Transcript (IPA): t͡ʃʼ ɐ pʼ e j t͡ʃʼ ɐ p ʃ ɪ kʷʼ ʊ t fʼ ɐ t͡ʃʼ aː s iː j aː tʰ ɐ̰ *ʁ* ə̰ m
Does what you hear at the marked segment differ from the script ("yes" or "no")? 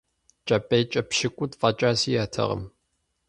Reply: no